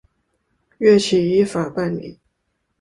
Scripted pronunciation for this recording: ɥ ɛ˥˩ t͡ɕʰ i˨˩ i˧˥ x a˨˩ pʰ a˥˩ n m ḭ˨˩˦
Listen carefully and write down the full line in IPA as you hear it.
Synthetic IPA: ɥ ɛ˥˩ t͡ɕʰ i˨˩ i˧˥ f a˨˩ p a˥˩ n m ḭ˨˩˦